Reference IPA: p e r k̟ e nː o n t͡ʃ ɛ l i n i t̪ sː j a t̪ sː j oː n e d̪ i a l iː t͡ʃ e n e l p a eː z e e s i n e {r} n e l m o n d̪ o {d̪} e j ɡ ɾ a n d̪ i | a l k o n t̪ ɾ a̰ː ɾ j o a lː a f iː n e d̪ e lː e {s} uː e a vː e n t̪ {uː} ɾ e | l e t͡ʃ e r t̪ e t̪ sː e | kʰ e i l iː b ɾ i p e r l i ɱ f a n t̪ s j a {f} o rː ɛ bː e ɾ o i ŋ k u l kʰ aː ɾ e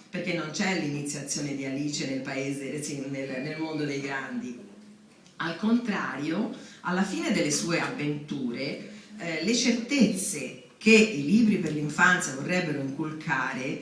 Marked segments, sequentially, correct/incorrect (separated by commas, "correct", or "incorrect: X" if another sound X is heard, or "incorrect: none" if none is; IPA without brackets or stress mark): incorrect: l, correct, correct, correct, incorrect: v